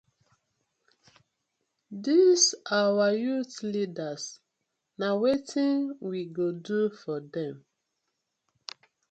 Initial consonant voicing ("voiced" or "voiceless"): voiced